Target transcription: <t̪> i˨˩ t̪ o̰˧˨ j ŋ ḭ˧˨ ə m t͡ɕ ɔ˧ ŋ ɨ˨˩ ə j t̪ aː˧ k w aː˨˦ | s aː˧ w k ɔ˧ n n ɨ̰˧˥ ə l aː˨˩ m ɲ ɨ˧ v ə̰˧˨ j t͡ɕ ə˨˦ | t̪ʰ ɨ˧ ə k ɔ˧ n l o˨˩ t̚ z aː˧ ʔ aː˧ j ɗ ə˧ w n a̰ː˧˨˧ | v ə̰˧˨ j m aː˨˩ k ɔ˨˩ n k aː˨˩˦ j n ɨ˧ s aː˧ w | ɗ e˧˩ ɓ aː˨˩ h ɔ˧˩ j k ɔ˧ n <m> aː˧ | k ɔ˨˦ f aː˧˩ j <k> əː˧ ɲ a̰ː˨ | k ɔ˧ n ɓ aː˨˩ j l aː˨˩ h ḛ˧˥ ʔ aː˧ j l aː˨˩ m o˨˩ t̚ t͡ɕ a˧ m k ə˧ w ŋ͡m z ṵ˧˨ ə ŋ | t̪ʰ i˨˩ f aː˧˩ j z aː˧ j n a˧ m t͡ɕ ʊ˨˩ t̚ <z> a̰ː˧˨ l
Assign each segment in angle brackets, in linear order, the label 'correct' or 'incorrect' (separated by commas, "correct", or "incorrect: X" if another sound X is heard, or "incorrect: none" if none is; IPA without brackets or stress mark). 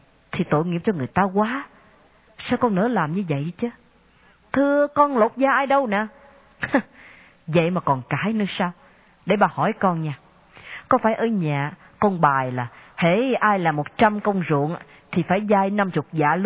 incorrect: t̪ʰ, incorrect: ɲ, incorrect: ʔ, correct